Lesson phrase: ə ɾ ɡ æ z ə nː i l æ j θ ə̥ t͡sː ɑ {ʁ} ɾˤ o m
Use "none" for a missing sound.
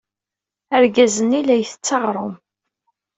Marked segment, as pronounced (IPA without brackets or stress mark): ʁ